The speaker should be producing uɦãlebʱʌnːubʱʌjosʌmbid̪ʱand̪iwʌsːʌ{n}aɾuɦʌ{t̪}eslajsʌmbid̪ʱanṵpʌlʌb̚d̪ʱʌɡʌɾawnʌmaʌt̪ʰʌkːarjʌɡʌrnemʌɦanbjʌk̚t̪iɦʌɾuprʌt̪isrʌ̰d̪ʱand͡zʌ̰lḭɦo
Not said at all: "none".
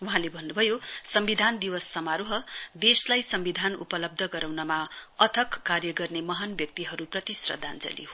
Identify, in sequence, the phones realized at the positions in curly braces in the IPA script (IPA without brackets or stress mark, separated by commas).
m, d̪